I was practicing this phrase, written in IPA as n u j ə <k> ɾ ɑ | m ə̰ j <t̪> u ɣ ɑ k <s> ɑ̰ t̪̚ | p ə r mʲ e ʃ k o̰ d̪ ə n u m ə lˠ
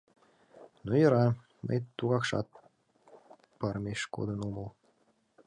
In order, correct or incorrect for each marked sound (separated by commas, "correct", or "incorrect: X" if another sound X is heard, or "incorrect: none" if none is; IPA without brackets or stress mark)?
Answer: incorrect: none, correct, incorrect: ʃ